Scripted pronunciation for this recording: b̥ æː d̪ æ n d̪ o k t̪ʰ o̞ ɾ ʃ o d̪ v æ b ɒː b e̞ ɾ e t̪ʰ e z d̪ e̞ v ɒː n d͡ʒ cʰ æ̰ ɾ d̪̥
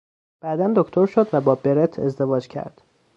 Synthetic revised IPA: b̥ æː d̪ æ n d̪ o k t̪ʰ o̞ ɾ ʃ o d̪ v æ b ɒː b e̞ ɾ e t̪ʰ e z d̪ e̞ v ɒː d͡ʒ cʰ æ̰ ɾ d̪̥